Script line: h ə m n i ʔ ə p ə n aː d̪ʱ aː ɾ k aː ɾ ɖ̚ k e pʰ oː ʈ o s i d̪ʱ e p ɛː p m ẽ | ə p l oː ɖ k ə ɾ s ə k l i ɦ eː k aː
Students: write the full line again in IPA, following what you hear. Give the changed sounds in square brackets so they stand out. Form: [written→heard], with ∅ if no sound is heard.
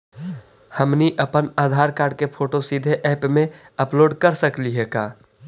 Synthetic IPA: h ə m n i ʔ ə p ə n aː d̪ʱ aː ɾ k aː ɾ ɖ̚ k e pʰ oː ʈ o s i d̪ʱ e [p→ʔ] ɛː p m ẽ | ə p l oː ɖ k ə ɾ s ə k l i ɦ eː k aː